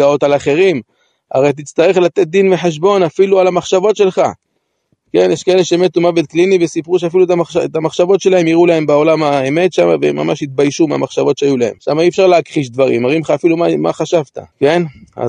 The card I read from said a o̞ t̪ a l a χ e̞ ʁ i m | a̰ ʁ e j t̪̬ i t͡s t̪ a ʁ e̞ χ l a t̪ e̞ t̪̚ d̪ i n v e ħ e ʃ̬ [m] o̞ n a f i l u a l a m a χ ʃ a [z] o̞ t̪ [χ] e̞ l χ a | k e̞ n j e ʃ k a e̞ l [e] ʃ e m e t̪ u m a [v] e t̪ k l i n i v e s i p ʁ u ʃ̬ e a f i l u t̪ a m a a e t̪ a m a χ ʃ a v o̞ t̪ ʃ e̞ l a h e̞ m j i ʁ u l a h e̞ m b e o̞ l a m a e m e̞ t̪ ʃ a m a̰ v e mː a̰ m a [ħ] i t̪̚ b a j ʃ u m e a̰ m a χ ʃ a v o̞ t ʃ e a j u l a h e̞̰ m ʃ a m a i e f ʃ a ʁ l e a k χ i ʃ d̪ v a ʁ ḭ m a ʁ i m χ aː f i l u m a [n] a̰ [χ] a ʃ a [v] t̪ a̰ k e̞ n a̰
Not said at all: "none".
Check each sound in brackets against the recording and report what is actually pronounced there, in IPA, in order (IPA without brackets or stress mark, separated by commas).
b, v, ʃ, e, v, ʃ, m, χ, v